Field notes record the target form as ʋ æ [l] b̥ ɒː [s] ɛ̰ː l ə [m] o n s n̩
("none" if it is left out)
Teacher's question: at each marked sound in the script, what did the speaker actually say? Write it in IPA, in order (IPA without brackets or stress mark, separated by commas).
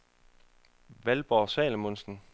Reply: l, s, m